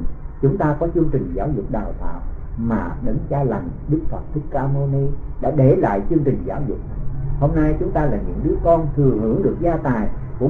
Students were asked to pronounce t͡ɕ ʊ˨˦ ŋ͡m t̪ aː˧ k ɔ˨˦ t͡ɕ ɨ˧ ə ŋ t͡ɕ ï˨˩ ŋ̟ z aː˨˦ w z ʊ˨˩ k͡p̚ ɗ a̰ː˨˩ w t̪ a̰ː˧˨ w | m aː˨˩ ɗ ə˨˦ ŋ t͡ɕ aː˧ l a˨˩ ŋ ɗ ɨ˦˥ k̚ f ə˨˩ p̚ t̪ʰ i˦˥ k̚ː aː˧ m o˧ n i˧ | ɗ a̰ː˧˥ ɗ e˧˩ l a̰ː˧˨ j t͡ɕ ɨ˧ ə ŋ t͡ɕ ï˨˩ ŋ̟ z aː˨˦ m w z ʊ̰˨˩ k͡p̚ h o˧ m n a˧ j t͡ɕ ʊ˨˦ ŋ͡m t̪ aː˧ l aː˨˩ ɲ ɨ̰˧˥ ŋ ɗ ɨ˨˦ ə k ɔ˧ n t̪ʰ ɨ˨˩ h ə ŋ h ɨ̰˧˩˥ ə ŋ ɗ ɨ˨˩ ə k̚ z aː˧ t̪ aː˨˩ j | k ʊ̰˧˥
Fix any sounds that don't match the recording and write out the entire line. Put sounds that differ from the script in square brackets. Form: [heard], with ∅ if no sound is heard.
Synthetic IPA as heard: t͡ɕ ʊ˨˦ ŋ͡m t̪ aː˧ k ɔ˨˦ t͡ɕ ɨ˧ ə ŋ t͡ɕ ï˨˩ ŋ̟ z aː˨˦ w z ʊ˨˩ k͡p̚ ɗ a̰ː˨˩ w t̪ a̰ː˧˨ w | m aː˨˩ ɗ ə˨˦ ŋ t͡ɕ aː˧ l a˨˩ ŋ ɗ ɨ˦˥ k̚ f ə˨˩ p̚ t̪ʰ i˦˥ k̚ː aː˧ m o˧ n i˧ | ɗ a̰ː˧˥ ɗ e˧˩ l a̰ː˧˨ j t͡ɕ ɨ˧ ə ŋ t͡ɕ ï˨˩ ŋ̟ z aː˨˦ [∅] w z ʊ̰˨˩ k͡p̚ h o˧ m n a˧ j t͡ɕ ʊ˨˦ ŋ͡m t̪ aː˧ l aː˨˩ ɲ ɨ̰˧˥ ŋ ɗ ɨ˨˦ ə k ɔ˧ n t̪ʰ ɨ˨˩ [∅] ə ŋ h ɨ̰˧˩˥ ə ŋ ɗ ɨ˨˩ ə k̚ z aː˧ t̪ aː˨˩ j | k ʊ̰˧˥